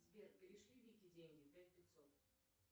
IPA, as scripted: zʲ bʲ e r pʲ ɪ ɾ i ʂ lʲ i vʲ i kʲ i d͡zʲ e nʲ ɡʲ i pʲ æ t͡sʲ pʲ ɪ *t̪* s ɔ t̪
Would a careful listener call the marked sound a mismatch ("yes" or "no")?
no